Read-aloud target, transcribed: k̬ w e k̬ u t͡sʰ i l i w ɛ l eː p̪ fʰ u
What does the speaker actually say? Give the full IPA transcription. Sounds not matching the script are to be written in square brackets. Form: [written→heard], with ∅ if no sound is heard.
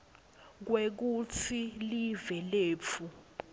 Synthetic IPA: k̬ w e k̬ u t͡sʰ i l i [w→v] ɛ l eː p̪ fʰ u